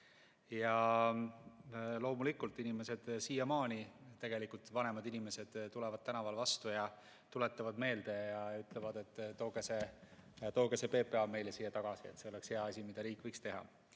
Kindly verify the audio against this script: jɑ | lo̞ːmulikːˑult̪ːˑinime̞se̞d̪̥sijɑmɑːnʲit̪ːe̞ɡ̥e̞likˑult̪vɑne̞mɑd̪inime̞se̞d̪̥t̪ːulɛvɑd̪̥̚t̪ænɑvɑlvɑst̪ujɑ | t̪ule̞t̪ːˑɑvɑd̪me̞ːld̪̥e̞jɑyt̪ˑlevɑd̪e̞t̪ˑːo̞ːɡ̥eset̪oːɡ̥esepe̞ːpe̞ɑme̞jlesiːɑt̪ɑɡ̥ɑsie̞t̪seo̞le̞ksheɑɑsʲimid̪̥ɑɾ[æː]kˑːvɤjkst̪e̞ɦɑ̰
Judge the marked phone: incorrect: iː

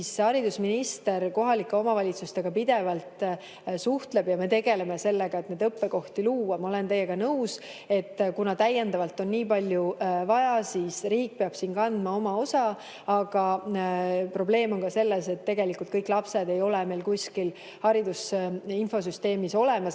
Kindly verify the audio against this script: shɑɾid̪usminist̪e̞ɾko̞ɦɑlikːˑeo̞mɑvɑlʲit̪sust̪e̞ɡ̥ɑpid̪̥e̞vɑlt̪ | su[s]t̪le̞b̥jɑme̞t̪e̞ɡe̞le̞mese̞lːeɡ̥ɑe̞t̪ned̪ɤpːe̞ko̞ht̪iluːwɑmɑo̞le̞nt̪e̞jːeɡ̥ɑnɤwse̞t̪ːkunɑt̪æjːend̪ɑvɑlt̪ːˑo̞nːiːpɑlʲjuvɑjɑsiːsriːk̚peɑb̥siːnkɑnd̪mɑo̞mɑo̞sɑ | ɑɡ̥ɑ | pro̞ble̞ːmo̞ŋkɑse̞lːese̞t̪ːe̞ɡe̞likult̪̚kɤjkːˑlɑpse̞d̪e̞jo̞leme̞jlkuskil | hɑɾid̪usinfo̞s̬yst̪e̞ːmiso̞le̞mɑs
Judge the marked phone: incorrect: h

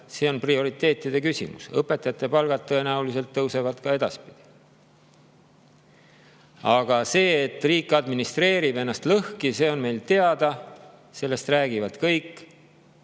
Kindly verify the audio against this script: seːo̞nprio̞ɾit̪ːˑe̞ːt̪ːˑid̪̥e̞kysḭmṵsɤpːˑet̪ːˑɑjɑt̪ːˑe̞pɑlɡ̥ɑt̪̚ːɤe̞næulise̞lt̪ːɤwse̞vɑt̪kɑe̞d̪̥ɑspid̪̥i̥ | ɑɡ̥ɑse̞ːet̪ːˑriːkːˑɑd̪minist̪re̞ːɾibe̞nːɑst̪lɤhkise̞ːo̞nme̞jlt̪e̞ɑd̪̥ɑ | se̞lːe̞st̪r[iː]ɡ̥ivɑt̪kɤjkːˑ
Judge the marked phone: incorrect: æː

